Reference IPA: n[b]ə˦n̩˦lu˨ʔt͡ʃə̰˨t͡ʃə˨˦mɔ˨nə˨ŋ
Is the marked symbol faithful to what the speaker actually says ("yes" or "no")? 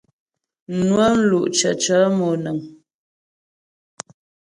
no